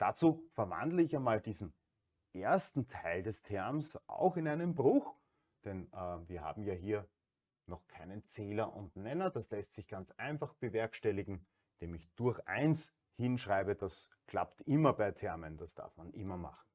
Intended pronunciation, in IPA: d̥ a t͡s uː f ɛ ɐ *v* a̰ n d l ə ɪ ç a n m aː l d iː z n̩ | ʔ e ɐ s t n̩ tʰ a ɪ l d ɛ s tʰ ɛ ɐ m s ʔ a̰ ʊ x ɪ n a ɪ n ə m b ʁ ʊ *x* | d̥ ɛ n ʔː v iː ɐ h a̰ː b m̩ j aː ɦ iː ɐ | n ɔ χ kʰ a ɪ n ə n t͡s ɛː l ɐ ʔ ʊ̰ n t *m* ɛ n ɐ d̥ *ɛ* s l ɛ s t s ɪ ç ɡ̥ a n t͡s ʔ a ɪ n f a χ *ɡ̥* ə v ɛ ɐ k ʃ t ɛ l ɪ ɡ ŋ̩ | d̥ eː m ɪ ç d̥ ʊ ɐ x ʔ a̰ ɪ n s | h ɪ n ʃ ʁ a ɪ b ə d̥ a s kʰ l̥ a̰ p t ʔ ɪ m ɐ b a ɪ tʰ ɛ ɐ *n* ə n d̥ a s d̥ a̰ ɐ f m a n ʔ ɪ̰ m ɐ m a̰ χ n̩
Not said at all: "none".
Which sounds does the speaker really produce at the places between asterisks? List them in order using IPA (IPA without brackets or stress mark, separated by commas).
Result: v, x, n, a, b̥, m